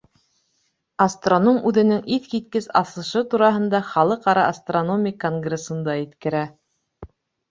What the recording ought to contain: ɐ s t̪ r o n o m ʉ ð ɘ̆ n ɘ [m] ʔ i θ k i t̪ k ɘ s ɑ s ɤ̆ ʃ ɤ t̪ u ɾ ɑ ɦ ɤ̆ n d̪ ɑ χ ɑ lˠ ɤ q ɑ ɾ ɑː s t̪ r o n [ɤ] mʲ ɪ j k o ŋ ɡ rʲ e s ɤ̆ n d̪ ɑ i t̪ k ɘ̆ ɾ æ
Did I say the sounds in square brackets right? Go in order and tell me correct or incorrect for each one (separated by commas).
incorrect, incorrect